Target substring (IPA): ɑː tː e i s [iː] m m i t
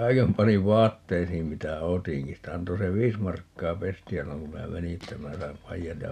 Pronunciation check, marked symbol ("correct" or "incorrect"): correct